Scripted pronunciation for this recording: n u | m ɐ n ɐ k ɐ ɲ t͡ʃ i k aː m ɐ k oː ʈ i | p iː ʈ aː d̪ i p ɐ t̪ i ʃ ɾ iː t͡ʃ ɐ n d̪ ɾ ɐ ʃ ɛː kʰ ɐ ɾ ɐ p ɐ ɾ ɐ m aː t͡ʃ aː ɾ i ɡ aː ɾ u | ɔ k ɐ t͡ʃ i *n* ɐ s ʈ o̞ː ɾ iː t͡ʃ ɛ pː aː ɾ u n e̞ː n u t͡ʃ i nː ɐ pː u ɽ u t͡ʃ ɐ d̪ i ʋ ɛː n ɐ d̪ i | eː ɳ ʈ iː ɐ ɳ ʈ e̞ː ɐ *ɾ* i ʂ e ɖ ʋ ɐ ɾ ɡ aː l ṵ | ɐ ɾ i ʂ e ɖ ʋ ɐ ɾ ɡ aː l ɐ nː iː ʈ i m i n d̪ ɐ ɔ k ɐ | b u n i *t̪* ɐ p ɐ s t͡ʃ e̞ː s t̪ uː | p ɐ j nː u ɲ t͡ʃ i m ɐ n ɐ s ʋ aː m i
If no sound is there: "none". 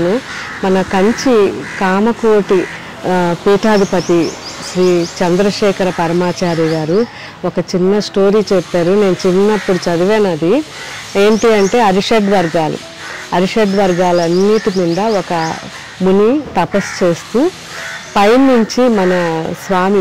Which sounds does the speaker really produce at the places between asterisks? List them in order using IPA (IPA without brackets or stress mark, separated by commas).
nː, ɾ, t̪